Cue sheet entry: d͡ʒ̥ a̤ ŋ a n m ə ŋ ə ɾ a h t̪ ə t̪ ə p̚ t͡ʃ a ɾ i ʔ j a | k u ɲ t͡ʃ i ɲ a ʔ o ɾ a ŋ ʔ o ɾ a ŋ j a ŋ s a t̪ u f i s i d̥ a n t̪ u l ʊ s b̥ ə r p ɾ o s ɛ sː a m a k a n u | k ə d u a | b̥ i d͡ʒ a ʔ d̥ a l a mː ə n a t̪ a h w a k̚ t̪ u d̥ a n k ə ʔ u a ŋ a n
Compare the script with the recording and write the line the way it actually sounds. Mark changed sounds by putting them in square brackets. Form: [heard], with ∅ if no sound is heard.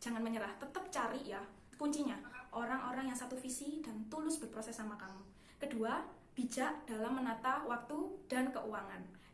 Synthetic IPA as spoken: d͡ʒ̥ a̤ ŋ a n m ə [ɲ] ə ɾ a h t̪ ə t̪ ə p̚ t͡ʃ a ɾ i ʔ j a | k u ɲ t͡ʃ i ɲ a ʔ o ɾ a ŋ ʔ o ɾ a ŋ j a ŋ s a t̪ u f i s i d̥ a n t̪ u l ʊ s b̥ ə r p ɾ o s ɛ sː a m a k a [m] u | k ə d u a | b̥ i d͡ʒ a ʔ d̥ a l a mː ə n a t̪ a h w a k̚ t̪ u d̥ a n k ə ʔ u a ŋ a n